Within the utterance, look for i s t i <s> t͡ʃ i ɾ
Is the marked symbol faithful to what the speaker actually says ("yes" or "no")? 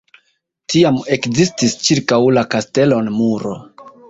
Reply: yes